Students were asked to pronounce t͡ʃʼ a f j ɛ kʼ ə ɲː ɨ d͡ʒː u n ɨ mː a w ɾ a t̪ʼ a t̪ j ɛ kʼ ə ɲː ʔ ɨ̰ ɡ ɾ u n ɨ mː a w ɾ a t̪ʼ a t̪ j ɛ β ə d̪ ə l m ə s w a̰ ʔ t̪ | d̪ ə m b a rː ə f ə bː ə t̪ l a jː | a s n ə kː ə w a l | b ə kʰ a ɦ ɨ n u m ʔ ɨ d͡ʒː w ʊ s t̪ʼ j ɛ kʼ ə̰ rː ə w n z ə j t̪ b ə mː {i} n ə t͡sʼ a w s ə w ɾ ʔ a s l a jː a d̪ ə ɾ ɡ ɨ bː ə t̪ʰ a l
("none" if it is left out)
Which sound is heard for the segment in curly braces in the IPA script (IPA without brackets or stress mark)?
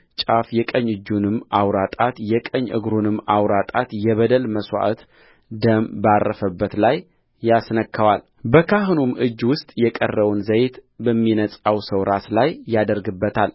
i